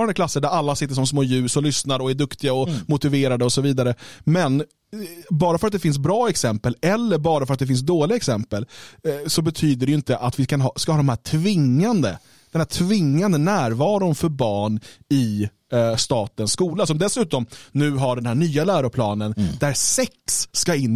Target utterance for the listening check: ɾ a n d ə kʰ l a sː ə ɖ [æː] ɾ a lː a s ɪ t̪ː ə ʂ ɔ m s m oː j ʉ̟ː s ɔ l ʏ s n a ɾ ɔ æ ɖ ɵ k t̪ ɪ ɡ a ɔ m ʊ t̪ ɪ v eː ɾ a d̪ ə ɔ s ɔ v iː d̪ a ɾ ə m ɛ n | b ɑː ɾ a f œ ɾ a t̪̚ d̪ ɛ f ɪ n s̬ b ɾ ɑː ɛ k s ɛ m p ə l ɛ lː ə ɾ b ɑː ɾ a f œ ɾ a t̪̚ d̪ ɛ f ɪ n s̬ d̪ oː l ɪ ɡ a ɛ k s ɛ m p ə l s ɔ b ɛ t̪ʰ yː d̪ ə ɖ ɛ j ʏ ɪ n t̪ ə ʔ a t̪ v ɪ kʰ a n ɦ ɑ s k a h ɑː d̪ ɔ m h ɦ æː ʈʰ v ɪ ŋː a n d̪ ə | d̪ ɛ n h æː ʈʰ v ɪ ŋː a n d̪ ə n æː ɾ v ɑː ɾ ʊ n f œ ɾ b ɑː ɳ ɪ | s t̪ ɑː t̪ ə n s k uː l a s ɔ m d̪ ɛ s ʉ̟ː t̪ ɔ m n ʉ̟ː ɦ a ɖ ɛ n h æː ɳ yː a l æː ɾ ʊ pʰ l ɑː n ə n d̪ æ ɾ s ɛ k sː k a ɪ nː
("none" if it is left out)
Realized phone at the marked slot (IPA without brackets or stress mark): æ